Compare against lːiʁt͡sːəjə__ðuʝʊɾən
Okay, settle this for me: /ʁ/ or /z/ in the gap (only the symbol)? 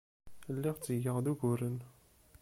ʁ